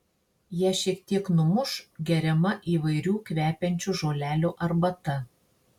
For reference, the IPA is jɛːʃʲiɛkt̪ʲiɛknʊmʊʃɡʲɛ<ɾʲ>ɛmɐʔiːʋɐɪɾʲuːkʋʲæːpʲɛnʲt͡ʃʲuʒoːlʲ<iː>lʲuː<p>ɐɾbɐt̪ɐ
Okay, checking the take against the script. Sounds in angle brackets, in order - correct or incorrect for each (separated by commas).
correct, incorrect, incorrect